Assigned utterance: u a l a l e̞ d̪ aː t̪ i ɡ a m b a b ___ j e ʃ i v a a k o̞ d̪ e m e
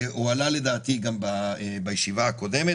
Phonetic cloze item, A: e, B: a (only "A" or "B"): B